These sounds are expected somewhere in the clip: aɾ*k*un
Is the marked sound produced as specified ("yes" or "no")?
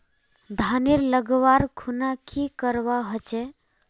no